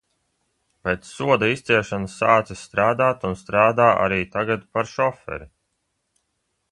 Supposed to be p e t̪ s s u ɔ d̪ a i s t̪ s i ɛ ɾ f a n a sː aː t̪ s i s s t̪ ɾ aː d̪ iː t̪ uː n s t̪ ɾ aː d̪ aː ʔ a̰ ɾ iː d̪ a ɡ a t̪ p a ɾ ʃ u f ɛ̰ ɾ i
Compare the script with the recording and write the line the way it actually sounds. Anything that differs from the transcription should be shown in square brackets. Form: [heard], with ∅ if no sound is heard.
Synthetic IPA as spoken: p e t̪ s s u ɔ d̪ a i s t̪ s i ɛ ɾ [ʃ] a n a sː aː t̪ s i s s t̪ ɾ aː d̪ [aː] t̪ [u] n s t̪ ɾ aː d̪ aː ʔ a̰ ɾ iː [t̪] a ɡ a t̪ p a ɾ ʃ [ɔ] f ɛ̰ ɾ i